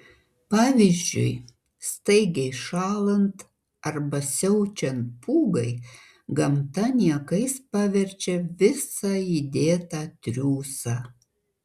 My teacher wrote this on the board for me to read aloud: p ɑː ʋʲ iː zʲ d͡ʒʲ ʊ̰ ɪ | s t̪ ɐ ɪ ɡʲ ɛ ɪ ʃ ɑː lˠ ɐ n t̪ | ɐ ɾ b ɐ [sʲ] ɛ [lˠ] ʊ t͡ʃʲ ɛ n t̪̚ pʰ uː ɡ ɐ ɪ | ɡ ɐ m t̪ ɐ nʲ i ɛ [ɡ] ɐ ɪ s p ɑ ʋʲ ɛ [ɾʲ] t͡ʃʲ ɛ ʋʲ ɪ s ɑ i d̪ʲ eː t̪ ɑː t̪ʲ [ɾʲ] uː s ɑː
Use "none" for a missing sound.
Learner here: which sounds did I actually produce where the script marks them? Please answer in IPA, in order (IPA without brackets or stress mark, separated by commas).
sʲ, none, k, ɾʲ, ɾʲ